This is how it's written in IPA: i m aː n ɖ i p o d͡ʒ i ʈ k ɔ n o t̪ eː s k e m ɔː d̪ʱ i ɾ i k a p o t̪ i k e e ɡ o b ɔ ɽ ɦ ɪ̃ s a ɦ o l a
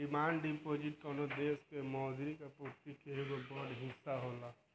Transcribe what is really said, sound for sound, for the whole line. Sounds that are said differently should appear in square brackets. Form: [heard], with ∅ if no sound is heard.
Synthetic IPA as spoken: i m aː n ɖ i p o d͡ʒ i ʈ k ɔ n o [d̪] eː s k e m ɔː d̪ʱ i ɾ i k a p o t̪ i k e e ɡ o b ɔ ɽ ɦ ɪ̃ s a ɦ o l a